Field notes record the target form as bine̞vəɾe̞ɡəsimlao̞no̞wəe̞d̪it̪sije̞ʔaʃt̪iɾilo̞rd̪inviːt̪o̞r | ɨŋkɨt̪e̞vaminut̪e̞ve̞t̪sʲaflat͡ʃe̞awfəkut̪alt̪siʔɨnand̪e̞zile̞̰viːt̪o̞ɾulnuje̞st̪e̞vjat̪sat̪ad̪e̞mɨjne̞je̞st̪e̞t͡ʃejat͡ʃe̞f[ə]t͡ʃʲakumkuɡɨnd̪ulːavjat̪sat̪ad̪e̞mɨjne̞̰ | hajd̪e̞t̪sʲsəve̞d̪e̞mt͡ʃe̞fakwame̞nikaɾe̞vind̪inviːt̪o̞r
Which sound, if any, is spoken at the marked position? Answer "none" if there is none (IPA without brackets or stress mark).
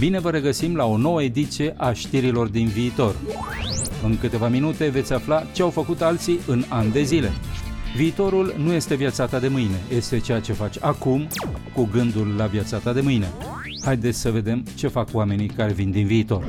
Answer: a